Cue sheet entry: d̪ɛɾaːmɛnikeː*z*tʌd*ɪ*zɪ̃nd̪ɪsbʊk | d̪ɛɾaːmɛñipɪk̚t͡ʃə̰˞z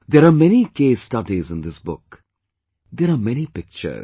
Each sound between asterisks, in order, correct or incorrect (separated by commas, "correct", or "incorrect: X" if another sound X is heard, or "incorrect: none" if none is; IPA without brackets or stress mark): incorrect: s, incorrect: i